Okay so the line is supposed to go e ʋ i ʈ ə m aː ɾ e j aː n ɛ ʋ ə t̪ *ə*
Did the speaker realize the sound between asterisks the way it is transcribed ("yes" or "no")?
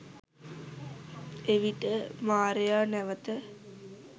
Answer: yes